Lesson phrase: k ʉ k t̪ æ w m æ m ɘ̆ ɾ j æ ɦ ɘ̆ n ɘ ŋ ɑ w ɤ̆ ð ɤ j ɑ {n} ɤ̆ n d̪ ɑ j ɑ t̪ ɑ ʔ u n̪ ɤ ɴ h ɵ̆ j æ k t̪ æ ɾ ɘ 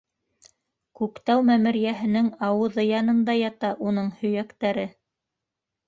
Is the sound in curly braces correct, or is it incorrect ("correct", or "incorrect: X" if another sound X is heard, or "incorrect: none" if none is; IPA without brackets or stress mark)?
correct